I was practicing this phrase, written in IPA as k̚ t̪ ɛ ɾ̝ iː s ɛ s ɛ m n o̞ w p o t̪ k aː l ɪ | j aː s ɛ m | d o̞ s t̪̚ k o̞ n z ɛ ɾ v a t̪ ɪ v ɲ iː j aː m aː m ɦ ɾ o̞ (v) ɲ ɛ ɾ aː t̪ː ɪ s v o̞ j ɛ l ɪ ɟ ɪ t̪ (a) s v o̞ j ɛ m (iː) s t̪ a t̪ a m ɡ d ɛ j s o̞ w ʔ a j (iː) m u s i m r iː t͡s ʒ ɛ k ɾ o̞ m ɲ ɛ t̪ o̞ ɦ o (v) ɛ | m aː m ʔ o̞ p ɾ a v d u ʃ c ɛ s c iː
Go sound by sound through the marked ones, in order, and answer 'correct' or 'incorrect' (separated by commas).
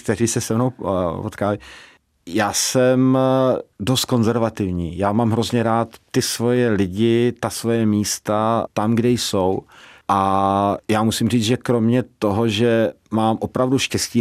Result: incorrect, correct, correct, incorrect, incorrect